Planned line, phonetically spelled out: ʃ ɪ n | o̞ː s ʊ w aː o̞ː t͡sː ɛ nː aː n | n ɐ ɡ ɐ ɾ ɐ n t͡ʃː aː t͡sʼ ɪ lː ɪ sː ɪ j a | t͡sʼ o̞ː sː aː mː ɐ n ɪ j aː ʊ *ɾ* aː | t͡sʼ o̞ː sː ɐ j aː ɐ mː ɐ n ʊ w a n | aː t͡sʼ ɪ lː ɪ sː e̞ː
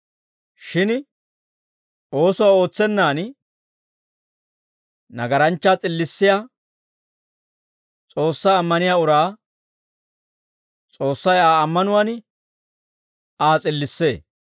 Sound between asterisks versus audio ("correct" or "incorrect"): correct